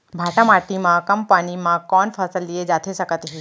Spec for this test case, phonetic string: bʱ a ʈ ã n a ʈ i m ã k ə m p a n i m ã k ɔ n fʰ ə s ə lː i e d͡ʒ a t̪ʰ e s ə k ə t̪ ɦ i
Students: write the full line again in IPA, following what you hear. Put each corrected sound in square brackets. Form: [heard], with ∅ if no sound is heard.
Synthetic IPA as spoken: bʱ a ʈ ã [m] a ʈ i m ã k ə m p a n i m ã k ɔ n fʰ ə s ə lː i e d͡ʒ a t̪ʰ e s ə k ə t̪ ɦ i